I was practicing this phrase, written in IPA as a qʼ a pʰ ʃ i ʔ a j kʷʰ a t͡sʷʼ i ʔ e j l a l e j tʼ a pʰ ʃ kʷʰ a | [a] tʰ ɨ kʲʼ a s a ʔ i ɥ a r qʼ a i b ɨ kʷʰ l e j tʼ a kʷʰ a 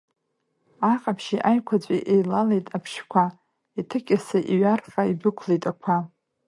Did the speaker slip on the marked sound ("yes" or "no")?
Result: yes